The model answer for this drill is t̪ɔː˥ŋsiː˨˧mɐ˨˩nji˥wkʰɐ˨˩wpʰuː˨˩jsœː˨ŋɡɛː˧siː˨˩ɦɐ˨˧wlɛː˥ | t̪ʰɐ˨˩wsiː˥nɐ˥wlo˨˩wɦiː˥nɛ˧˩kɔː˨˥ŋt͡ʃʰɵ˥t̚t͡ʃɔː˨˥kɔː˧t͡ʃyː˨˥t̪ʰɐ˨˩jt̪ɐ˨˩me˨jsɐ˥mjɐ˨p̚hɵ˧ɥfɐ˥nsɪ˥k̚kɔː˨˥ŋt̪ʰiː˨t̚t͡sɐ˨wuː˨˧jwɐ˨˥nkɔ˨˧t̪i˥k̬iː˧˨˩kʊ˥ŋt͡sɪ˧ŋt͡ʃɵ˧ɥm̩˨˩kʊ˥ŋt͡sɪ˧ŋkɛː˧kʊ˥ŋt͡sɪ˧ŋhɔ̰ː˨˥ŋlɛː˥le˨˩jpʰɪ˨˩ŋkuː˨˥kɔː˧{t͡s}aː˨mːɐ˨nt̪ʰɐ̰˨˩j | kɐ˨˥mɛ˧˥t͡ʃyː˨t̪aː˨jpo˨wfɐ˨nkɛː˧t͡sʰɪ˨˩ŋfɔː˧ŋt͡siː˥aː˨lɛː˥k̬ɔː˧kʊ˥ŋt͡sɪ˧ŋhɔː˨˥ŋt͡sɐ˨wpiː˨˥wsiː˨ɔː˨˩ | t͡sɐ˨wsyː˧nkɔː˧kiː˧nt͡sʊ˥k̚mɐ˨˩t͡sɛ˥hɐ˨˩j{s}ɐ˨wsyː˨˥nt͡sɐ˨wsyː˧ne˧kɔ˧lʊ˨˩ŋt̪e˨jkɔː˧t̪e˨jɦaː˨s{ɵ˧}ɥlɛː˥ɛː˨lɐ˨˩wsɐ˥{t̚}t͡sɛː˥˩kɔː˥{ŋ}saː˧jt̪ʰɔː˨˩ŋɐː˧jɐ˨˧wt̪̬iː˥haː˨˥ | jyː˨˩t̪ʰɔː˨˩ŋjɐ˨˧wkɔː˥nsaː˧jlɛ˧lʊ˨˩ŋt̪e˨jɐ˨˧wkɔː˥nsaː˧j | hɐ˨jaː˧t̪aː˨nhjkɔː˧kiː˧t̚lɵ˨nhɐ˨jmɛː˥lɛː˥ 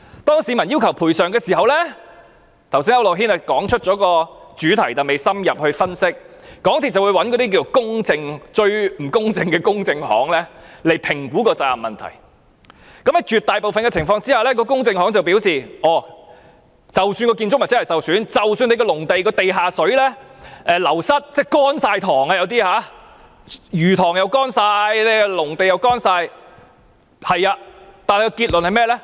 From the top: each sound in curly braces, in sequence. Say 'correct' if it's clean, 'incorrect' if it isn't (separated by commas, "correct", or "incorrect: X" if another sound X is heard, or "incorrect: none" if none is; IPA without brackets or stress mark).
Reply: correct, correct, incorrect: ɵ˨˥, correct, incorrect: n